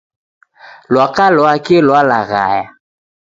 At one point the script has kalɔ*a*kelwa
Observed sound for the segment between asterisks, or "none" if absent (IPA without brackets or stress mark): a